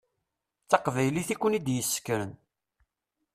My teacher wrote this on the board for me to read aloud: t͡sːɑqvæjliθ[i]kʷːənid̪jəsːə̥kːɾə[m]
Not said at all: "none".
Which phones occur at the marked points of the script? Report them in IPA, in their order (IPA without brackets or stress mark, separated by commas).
i, n